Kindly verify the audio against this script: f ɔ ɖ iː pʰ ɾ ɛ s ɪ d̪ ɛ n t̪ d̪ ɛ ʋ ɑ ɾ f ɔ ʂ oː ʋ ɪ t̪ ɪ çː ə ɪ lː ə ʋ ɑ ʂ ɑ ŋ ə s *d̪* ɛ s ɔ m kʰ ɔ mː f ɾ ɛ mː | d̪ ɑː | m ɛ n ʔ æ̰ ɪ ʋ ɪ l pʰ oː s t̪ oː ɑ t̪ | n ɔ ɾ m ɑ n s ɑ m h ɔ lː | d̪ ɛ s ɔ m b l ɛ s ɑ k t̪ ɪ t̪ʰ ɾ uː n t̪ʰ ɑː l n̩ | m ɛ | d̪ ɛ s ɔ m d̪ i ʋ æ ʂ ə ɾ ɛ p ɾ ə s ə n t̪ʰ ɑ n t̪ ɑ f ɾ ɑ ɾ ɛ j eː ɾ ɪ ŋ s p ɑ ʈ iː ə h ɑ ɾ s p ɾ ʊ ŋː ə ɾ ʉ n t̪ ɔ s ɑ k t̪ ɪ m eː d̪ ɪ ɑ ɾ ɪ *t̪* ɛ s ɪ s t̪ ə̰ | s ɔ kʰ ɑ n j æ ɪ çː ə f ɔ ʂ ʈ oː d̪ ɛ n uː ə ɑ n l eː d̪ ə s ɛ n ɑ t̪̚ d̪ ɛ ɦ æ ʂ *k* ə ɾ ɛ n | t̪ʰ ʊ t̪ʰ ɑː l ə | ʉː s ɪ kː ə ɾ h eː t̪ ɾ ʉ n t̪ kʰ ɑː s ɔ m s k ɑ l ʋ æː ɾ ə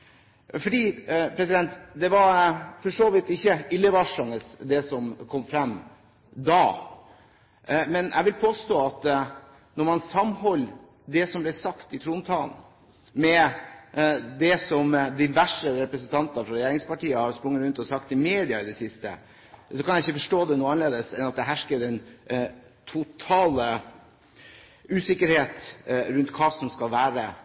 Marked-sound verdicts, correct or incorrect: correct, incorrect, correct

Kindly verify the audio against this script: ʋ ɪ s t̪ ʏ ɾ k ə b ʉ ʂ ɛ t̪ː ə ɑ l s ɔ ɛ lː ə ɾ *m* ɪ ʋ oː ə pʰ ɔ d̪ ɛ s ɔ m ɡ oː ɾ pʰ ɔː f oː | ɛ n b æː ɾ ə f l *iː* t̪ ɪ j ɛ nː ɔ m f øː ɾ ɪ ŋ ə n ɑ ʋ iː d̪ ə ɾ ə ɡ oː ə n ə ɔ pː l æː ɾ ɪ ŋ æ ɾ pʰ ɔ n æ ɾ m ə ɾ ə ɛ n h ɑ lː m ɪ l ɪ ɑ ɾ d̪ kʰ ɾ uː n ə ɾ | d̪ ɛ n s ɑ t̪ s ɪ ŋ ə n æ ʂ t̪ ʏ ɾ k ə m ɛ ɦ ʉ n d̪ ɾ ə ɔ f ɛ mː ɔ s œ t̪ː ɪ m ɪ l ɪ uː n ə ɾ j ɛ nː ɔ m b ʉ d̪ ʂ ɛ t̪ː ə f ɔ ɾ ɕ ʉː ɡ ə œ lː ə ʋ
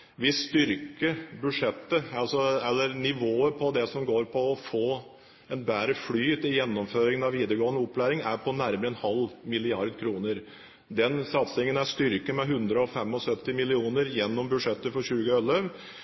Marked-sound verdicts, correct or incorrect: incorrect, incorrect

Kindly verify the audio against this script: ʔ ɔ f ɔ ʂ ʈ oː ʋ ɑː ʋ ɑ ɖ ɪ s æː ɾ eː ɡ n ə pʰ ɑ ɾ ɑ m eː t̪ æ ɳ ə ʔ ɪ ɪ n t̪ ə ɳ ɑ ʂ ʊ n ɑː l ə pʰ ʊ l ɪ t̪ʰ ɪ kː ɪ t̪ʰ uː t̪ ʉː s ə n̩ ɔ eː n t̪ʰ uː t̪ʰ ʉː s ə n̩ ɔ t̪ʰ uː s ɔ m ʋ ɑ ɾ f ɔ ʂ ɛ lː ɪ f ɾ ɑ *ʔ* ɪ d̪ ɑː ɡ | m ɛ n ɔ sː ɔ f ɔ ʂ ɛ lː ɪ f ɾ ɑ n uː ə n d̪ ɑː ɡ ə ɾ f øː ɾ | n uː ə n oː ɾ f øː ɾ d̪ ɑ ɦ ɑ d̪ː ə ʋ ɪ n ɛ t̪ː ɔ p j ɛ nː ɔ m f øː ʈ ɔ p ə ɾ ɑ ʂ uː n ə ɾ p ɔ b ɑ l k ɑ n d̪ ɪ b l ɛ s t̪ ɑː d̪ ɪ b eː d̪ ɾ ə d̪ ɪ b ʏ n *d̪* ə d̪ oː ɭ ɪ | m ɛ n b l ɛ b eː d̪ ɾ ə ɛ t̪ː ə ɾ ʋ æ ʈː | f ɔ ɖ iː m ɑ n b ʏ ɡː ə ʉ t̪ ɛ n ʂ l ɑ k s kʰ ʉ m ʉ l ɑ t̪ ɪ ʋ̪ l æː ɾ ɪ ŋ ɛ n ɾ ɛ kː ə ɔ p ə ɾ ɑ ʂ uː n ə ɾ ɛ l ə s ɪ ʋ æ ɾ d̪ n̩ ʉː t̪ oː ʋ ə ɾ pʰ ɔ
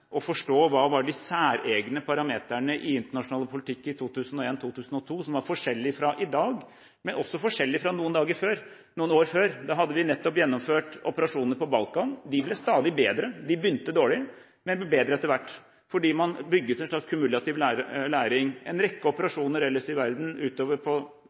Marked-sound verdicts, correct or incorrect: correct, incorrect

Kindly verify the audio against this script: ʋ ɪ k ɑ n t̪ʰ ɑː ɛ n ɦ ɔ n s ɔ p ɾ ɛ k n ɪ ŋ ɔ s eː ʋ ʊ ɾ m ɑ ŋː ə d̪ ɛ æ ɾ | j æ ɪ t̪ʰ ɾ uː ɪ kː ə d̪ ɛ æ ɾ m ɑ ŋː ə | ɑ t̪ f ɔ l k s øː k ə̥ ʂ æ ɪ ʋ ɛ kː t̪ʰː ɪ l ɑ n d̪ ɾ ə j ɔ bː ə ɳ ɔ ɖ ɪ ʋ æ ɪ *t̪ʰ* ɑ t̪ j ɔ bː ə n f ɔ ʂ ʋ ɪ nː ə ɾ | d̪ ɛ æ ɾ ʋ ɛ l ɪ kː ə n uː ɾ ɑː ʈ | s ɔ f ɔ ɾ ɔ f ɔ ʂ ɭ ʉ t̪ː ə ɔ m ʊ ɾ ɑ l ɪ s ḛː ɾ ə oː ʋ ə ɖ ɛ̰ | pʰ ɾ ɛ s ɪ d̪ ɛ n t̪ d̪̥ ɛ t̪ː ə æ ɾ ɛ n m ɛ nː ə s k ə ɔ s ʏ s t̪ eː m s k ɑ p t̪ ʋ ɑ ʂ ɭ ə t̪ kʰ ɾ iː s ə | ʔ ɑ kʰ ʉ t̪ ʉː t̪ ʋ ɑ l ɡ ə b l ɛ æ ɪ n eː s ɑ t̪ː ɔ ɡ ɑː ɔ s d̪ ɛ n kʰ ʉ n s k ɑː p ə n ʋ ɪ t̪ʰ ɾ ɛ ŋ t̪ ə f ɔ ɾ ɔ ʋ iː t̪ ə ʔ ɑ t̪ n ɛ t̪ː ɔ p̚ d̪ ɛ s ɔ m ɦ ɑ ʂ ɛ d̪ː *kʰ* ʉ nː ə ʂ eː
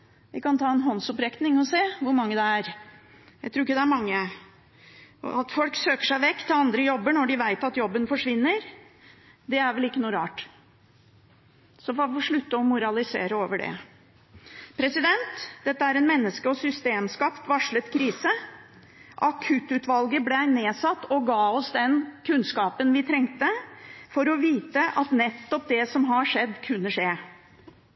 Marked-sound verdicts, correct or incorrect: incorrect, correct

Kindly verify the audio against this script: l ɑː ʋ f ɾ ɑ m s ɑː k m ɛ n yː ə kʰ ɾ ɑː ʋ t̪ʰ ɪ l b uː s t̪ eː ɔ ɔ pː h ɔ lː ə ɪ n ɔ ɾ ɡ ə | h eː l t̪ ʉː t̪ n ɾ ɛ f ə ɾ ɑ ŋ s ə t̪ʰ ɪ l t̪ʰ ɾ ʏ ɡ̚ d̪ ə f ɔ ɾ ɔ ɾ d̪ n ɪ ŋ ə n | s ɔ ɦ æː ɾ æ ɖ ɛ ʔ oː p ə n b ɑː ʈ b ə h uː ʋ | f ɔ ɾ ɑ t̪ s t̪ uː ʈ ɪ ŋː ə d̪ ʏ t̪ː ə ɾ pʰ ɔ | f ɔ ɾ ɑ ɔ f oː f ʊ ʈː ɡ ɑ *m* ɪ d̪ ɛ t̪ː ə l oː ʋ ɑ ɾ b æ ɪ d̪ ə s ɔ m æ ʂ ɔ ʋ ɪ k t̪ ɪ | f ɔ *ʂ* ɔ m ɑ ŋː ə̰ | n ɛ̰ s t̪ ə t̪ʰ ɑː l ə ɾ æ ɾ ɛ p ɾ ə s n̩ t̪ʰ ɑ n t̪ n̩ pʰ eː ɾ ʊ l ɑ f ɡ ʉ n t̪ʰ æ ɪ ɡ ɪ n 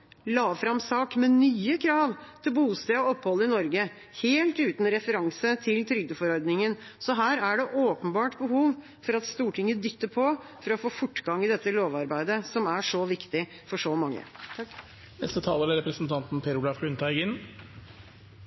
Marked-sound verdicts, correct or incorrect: incorrect, correct

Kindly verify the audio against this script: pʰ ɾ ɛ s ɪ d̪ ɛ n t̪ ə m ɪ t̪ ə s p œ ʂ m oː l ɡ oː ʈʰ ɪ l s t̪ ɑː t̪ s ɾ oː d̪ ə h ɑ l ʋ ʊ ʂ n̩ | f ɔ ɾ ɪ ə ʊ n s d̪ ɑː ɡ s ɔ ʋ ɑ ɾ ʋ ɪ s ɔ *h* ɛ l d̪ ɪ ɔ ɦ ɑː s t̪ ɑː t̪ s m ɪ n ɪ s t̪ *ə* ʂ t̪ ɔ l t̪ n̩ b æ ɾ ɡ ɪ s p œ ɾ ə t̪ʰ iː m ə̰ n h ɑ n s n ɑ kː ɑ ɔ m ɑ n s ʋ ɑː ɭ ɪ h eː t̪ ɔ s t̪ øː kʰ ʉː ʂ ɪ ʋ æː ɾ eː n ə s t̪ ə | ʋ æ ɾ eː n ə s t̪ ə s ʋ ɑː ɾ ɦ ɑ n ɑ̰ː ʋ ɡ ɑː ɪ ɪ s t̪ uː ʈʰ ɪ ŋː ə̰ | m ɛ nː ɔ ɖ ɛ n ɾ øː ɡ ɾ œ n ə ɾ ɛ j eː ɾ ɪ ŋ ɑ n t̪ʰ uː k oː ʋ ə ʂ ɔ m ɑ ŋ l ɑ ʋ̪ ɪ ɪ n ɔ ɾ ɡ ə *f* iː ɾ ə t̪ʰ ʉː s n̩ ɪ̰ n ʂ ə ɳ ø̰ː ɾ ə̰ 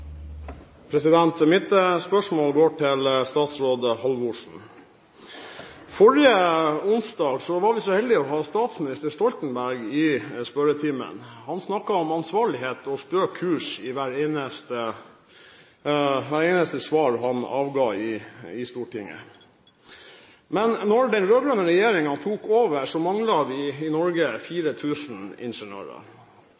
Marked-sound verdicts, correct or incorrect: correct, correct, correct

